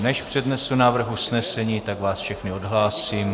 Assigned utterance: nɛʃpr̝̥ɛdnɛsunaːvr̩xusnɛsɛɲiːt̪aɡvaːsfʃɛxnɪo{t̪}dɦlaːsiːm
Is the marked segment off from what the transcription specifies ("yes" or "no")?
yes